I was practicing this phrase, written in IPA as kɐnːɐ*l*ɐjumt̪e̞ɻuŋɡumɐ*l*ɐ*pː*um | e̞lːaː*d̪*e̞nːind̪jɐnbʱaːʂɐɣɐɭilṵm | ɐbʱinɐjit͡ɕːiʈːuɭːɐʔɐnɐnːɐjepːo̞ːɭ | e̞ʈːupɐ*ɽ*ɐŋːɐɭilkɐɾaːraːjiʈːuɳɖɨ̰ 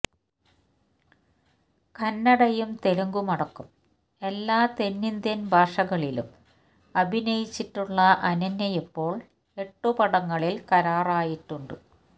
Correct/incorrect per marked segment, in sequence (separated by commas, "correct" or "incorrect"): incorrect, incorrect, incorrect, incorrect, correct